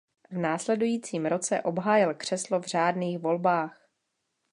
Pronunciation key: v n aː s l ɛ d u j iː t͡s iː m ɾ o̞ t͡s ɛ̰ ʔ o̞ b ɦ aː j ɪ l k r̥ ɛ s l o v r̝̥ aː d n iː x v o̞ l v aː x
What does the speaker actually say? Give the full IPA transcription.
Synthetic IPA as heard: v n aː s l ɛ d u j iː t͡s iː m ɾ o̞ t͡s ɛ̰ ʔ o̞ b ɦ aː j ɪ l k r̥ ɛ s l o v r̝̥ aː d n iː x v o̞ l b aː x